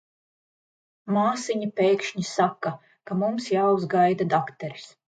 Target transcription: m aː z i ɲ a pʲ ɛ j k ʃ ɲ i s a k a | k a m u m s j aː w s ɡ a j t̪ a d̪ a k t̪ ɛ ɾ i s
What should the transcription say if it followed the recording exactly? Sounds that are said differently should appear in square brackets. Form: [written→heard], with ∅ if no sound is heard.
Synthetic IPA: m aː [z→s] i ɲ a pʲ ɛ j k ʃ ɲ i s a k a | k a m u m s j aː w [s→z] ɡ a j [t̪→d̪] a d̪ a k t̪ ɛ ɾ i s